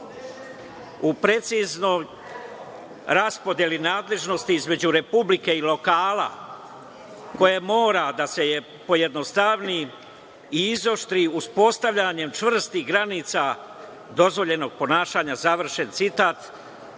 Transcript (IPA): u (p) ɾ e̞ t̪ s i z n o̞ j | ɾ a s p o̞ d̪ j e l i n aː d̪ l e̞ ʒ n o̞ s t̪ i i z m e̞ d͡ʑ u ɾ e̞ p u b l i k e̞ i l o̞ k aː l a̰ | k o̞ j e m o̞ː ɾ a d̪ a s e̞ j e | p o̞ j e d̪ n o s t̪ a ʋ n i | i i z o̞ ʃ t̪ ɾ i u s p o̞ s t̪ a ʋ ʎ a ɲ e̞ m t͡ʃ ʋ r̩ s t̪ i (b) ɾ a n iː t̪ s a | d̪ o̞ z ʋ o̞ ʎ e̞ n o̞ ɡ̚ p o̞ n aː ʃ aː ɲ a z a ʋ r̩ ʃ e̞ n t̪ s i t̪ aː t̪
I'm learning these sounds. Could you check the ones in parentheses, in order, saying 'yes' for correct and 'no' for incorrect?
yes, no

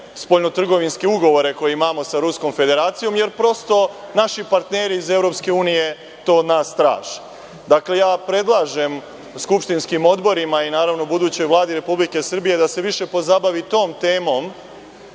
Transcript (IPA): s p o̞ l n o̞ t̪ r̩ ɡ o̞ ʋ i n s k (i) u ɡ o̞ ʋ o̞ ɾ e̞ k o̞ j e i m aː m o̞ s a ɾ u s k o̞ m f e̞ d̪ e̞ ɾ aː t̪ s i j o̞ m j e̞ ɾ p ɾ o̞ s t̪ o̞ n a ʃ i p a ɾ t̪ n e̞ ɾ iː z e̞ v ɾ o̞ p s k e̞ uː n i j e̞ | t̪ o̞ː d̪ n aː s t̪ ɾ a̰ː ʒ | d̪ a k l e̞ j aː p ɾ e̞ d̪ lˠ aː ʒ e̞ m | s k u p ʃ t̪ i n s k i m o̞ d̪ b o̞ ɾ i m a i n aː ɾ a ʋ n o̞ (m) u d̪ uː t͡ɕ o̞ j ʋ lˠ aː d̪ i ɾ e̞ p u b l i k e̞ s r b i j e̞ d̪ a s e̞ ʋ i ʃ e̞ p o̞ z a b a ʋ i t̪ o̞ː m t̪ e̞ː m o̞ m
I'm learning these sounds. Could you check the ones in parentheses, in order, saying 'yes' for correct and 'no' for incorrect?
no, no

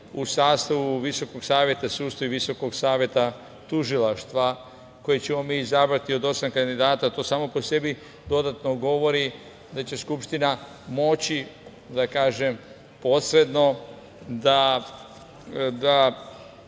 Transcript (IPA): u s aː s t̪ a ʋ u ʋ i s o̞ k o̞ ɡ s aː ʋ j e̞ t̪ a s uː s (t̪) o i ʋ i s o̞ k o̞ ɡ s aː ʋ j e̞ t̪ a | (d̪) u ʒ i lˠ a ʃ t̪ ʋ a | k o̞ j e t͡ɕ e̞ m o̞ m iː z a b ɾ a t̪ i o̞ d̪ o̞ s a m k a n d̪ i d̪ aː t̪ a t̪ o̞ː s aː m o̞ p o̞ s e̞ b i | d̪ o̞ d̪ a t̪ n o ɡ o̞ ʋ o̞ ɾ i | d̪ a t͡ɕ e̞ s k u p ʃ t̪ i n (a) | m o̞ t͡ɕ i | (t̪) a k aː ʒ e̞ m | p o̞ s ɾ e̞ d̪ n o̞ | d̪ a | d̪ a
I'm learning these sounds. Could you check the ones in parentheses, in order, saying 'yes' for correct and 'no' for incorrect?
yes, no, yes, no

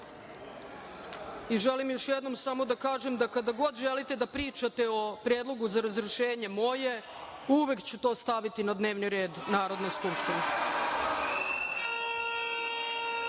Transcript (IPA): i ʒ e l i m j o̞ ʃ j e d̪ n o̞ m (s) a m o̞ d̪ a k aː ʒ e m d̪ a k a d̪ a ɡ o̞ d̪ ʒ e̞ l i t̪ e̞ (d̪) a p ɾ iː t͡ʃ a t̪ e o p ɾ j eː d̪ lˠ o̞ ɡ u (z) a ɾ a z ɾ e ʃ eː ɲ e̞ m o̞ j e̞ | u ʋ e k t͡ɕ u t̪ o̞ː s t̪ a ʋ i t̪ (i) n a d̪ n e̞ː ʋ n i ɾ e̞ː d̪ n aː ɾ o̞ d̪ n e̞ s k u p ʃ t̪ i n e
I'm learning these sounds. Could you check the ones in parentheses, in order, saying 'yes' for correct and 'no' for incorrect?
yes, yes, yes, yes

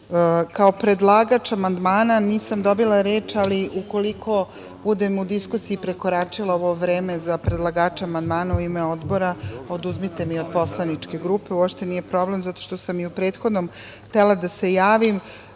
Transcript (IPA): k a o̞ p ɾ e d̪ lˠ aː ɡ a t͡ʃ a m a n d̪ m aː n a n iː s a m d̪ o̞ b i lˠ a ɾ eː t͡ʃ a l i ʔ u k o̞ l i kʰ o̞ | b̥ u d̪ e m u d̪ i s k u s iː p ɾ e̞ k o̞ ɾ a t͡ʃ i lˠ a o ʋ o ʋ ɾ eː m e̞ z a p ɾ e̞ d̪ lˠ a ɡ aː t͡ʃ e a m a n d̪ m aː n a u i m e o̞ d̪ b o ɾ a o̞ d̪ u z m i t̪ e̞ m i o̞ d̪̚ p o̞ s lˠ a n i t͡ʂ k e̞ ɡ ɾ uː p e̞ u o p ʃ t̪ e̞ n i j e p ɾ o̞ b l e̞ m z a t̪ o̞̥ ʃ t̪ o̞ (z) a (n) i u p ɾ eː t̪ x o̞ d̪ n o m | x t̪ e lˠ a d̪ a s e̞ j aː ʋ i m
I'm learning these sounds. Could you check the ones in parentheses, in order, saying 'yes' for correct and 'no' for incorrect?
no, no

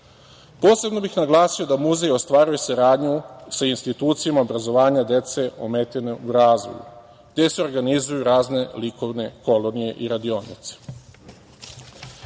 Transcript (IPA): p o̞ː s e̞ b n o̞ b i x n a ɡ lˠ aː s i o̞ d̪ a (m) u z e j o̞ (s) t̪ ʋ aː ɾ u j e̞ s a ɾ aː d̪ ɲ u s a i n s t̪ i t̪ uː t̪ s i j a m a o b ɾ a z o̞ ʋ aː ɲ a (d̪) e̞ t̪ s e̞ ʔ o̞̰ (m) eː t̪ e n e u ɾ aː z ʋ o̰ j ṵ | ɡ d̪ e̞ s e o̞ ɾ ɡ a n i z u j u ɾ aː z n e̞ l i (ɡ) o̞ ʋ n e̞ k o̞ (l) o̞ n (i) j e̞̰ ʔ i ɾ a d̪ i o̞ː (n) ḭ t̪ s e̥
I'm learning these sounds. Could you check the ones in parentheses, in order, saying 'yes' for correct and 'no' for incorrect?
yes, yes, yes, yes, no, yes, yes, yes

